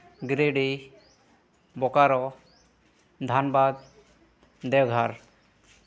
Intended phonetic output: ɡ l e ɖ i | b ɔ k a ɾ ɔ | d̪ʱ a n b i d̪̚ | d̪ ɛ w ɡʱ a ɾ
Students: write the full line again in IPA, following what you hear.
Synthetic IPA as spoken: ɡ ɾ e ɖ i | b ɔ k a ɾ ɔ | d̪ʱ a n b a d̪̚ | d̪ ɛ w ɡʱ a ɾ